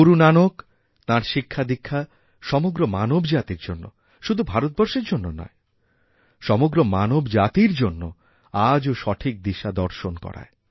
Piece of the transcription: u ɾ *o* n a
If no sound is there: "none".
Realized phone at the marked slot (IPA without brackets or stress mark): u